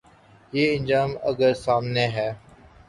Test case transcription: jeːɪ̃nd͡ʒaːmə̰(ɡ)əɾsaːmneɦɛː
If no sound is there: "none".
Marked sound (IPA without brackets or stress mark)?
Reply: ɡ